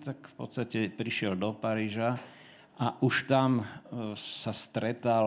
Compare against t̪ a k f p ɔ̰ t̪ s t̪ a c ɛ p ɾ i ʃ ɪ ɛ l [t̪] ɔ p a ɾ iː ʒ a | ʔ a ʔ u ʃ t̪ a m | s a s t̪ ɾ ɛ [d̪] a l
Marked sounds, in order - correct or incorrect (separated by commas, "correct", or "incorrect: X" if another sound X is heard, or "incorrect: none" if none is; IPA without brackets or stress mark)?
incorrect: d̪, incorrect: t̪